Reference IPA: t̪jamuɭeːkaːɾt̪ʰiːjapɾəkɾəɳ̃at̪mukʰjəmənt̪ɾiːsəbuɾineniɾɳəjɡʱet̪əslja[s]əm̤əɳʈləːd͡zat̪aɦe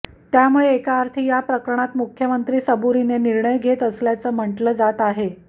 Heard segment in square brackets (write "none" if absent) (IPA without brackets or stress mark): t͡s